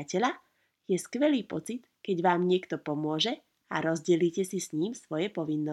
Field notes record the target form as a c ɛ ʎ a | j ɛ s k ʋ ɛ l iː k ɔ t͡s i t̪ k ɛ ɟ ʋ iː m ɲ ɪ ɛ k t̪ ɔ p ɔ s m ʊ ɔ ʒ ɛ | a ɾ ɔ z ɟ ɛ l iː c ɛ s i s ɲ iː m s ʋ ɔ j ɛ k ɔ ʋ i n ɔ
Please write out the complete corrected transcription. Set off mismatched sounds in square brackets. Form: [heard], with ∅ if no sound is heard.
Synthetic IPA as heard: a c ɛ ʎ a | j ɛ s k ʋ ɛ l iː [p] ɔ t͡s i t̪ k ɛ ɟ ʋ [aː] m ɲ ɪ ɛ k t̪ ɔ p ɔ [∅] m ʊ ɔ ʒ ɛ | a ɾ ɔ z ɟ ɛ l iː c ɛ s i s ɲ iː m s ʋ ɔ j ɛ [p] ɔ ʋ i [nː] ɔ